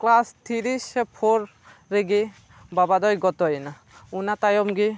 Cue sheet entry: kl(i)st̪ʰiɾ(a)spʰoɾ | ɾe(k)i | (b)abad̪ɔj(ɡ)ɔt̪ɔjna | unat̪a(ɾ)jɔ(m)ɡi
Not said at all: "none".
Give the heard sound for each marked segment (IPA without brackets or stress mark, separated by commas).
a, i, ɡ, b, ɡ, none, m